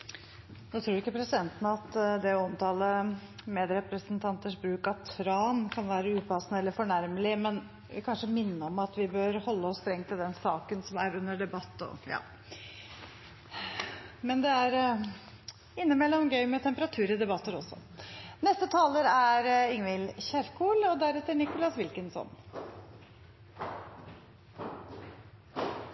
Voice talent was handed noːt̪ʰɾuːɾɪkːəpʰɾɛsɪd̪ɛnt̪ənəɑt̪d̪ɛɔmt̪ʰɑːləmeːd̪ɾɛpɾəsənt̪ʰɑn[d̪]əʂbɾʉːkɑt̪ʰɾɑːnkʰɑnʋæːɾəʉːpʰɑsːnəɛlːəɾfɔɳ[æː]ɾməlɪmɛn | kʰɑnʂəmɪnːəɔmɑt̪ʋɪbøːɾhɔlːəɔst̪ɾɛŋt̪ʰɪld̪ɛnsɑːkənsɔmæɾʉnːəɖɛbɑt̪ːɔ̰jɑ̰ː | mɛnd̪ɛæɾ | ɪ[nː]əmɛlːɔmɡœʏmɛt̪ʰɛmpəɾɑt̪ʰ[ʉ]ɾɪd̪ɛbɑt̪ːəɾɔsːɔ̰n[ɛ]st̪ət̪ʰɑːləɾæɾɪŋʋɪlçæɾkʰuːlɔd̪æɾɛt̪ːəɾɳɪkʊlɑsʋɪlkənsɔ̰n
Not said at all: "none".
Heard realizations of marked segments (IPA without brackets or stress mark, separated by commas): t̪, æ, nː, ʉː, ɛ